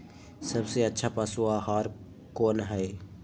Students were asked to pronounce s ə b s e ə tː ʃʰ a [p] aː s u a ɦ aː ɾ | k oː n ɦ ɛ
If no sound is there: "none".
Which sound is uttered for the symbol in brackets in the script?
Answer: p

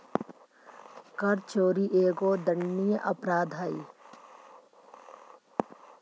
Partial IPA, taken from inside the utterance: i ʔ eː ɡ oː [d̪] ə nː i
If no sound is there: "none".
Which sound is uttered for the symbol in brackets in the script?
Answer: d̪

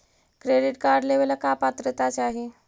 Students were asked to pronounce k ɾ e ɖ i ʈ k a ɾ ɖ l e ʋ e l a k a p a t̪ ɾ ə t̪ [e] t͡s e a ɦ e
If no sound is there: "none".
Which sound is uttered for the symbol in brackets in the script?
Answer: a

